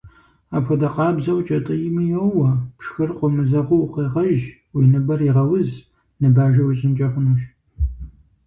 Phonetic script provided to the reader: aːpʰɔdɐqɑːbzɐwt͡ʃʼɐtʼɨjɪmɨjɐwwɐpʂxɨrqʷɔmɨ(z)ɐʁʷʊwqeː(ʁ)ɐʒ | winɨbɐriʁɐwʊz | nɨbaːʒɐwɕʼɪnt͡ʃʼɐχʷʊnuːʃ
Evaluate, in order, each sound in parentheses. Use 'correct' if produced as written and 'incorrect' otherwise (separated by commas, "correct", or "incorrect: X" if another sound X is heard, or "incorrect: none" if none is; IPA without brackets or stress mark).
correct, correct